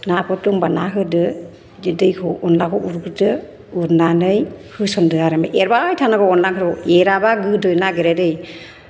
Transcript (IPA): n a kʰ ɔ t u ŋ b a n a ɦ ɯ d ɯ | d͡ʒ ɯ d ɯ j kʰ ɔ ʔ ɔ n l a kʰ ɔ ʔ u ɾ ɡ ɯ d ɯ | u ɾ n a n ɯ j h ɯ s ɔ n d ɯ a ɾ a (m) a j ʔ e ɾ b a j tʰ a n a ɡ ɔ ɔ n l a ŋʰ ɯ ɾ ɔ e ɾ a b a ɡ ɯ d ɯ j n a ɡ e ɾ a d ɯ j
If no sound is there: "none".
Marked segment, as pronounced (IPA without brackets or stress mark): m